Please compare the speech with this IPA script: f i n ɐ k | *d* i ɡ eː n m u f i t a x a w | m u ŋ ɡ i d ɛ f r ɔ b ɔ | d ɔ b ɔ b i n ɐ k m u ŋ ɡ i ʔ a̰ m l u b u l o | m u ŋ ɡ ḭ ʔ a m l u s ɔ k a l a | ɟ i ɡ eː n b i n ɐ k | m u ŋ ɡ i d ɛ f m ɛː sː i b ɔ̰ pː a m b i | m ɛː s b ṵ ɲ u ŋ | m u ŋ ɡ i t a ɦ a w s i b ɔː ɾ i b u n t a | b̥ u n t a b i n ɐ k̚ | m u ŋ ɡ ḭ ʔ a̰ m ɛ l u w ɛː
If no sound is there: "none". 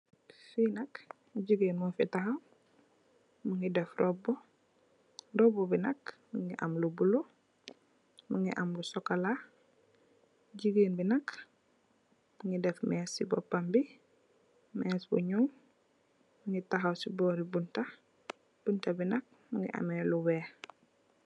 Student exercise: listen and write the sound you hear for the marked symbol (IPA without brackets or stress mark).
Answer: ɟ